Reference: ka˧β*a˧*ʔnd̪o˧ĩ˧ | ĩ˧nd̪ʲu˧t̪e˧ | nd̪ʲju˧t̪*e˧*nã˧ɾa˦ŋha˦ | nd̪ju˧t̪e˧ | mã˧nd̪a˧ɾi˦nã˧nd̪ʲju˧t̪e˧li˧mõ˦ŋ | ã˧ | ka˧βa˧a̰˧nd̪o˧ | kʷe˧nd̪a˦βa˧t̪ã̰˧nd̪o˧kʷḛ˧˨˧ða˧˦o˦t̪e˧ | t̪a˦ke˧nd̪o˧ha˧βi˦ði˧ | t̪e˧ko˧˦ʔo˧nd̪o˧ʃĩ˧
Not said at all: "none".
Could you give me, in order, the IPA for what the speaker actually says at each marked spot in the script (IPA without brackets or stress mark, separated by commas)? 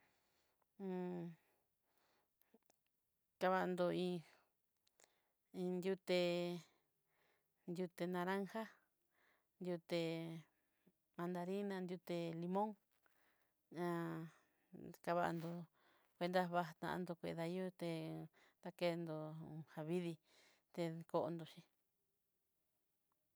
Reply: a˧, e˧